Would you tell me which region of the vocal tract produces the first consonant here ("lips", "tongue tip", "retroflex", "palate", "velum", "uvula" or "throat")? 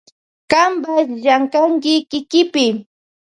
velum